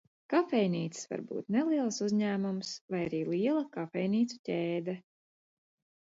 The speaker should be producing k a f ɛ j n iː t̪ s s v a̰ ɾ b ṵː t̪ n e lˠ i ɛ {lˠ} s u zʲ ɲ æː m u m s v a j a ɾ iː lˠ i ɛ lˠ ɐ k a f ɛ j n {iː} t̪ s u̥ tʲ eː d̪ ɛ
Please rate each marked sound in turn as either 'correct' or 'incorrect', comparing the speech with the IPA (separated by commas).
correct, correct